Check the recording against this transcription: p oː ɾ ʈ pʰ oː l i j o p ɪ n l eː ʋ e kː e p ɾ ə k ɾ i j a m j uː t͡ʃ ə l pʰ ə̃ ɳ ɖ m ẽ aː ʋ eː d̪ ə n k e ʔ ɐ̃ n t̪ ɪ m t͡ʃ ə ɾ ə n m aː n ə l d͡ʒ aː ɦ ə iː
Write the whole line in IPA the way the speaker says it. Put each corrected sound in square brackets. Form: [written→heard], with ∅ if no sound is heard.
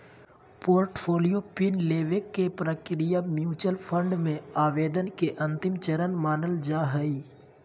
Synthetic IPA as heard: p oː ɾ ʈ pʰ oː l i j o p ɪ n l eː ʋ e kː e p ɾ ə k ɾ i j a m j uː t͡ʃ ə l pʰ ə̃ ɳ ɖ m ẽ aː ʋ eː d̪ ə n k e ʔ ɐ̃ n t̪ ɪ m t͡ʃ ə ɾ ə n m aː n ə l d͡ʒ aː ɦ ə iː